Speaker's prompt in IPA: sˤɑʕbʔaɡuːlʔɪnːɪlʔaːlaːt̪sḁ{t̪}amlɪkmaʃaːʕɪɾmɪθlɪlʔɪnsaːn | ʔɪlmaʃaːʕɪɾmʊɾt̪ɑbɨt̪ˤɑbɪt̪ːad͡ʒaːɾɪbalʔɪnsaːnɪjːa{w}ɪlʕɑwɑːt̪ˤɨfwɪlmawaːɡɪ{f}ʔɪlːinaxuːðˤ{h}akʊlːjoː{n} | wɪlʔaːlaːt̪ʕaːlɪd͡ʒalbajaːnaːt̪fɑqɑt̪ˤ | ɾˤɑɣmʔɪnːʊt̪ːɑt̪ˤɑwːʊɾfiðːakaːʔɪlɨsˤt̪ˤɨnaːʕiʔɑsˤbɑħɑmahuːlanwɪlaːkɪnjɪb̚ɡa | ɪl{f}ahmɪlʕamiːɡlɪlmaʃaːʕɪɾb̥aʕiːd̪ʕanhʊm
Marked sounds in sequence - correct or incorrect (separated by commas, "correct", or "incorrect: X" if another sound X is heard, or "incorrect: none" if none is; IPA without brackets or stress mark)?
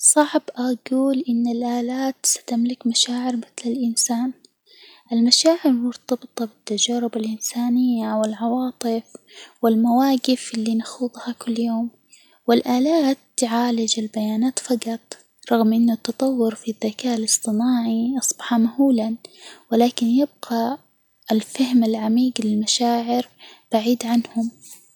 correct, correct, correct, correct, incorrect: m, correct